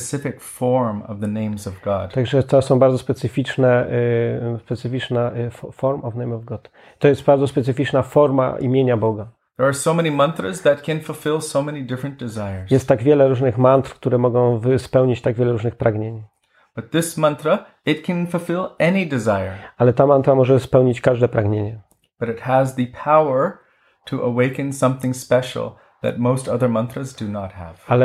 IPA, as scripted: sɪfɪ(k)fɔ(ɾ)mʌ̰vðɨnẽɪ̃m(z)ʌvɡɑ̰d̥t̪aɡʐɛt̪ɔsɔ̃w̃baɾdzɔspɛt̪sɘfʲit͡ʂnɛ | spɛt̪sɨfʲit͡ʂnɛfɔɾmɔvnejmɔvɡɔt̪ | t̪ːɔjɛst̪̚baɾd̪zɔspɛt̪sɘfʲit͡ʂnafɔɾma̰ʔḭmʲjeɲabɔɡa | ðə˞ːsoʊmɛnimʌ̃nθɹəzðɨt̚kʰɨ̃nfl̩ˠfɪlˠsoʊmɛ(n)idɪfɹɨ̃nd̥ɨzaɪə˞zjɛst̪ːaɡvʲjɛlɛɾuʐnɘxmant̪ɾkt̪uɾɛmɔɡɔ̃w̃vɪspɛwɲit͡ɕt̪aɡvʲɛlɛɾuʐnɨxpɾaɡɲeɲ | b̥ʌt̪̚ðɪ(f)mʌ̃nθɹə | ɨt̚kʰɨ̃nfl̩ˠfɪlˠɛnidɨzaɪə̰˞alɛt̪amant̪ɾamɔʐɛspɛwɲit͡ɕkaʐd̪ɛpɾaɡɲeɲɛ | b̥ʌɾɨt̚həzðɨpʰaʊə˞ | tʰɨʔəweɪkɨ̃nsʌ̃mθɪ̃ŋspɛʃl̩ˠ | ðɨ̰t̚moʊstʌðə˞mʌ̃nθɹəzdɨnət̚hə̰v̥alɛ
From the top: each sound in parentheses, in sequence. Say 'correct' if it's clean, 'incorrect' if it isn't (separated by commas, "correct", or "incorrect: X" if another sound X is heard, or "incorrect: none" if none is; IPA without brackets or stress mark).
correct, incorrect: ɹ, correct, correct, incorrect: s